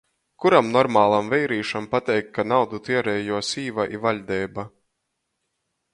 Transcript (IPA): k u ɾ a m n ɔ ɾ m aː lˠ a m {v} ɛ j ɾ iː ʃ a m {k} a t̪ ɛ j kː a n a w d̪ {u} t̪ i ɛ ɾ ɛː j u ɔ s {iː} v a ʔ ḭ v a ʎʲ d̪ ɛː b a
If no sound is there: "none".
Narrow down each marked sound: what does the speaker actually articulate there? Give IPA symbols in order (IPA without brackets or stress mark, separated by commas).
v, p, u, iː